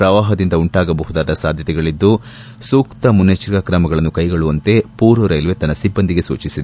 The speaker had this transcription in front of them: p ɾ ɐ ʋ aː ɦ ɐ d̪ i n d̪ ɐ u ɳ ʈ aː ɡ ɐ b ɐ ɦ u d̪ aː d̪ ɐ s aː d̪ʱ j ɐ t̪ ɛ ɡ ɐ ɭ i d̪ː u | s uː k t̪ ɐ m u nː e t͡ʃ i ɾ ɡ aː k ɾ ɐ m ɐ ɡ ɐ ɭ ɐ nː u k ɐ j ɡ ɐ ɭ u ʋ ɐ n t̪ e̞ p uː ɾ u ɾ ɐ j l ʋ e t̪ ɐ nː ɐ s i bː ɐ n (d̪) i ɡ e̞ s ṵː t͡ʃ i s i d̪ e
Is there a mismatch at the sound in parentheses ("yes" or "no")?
no